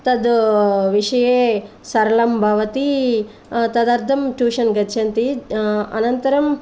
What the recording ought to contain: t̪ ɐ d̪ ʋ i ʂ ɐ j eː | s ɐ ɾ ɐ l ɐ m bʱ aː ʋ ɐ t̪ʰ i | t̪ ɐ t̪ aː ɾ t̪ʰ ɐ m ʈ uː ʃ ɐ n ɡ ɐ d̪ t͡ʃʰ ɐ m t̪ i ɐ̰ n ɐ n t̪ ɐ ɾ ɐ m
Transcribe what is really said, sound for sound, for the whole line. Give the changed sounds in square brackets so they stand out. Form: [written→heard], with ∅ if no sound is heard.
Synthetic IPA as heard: t̪ ɐ d̪ ʋ i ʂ ɐ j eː | s ɐ ɾ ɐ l ɐ m bʱ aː ʋ ɐ [t̪ʰ→t̪] i | t̪ ɐ [t̪→d̪] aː ɾ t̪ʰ ɐ m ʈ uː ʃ ɐ n ɡ ɐ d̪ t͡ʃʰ ɐ [m→n] t̪ i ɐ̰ n ɐ n t̪ ɐ ɾ ɐ m